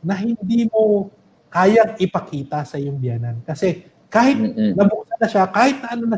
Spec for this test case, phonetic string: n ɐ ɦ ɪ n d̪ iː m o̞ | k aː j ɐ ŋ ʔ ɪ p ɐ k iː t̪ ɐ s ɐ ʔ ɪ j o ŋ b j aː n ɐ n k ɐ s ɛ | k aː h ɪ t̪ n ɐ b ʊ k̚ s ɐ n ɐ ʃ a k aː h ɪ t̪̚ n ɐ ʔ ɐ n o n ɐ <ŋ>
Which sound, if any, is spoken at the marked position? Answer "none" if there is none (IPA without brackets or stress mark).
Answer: none